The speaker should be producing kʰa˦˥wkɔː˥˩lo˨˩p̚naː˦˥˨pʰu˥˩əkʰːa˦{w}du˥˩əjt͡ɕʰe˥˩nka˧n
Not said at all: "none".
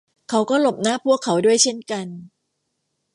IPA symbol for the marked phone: w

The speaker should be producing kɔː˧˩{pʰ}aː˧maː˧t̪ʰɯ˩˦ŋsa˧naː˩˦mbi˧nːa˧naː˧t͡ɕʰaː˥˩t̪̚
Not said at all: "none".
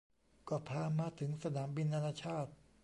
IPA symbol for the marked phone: pʰ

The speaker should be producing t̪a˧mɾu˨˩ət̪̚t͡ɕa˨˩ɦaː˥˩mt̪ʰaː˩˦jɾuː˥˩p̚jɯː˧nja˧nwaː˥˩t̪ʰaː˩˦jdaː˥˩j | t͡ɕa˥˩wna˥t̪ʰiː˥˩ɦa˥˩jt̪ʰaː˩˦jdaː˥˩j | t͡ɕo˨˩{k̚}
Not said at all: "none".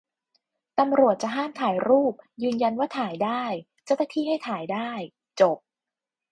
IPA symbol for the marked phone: p̚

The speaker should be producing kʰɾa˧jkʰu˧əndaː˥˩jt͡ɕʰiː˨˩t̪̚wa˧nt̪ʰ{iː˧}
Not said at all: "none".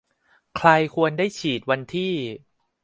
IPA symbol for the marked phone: iː˥˩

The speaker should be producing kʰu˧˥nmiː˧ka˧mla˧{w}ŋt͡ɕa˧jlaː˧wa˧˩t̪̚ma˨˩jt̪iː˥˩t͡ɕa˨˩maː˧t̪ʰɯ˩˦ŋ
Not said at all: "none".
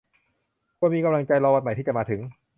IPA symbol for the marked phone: none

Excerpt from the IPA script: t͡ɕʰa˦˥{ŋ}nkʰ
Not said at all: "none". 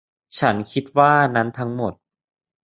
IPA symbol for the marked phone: none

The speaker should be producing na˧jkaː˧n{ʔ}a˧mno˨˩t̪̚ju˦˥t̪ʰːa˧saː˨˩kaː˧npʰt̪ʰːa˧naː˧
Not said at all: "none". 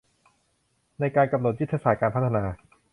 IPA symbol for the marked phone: k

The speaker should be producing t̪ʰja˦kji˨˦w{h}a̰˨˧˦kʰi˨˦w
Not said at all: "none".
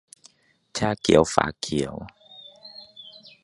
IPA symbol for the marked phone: f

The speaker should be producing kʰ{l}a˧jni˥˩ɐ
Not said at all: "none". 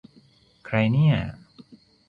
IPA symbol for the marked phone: ɾ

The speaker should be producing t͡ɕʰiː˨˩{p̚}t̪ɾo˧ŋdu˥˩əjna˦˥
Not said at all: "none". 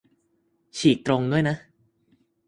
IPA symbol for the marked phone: k̚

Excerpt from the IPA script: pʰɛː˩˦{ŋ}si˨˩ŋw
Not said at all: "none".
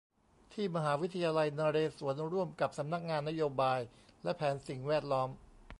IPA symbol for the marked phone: n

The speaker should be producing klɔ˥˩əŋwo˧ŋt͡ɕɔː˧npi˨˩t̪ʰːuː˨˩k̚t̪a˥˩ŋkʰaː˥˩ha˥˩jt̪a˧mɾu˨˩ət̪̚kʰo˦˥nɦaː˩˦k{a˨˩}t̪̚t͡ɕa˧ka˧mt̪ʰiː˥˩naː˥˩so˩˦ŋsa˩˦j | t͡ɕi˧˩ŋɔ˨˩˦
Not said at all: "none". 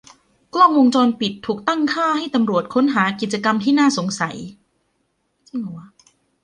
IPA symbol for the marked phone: i˨˩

